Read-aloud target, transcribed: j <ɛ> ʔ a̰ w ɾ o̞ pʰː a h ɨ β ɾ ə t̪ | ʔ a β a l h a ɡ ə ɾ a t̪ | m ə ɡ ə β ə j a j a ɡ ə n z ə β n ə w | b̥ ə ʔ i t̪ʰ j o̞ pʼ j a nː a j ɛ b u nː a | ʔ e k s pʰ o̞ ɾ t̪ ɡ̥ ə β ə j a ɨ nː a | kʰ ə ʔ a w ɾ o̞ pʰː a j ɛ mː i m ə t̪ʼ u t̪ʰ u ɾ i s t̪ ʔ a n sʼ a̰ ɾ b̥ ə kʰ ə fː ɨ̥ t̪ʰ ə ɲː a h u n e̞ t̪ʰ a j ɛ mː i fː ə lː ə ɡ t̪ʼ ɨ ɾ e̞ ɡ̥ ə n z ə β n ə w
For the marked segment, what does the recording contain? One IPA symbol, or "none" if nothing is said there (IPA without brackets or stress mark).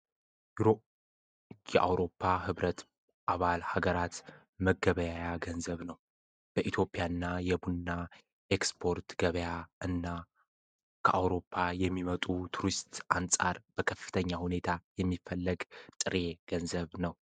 ɛ